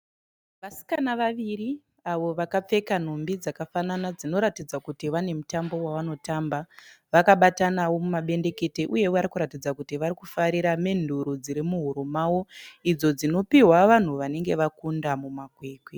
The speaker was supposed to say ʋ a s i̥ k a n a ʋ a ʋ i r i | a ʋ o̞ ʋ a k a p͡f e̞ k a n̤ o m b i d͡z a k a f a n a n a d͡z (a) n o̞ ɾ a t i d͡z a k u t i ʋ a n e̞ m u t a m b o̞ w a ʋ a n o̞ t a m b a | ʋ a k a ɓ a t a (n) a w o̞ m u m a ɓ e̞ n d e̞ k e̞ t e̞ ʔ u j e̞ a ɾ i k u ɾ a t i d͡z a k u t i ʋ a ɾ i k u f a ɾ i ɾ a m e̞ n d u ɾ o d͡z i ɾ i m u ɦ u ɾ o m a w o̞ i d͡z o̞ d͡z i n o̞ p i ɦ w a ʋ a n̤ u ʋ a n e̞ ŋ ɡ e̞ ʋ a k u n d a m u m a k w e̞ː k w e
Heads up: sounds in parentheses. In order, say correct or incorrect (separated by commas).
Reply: incorrect, correct